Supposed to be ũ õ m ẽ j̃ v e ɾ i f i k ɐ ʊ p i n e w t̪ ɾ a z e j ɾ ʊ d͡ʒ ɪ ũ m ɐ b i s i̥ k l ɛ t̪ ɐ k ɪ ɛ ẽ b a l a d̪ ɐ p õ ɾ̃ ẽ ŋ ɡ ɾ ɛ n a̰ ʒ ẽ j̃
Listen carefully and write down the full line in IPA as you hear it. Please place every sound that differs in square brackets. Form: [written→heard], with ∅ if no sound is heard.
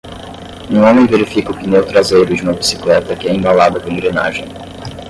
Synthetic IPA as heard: ũ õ m ẽ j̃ v e ɾ i f i k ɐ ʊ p i n e w t̪ ɾ a z e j ɾ ʊ d͡ʒ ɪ ũ m ɐ b i s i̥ k l ɛ t̪ ɐ k ɪ ɛ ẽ b a l a d̪ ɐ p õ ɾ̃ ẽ ŋ ɡ ɾ [ɛ→e] n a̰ ʒ ẽ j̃